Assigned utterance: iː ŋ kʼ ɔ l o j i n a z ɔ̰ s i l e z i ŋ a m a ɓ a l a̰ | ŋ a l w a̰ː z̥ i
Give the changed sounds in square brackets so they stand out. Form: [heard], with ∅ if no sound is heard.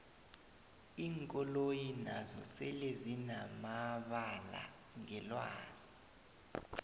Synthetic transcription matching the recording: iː ŋ kʼ ɔ l o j i n a z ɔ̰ s [ɛ] l e z i [n] a m a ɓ a l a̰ | ŋ [ɛ] l w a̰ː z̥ i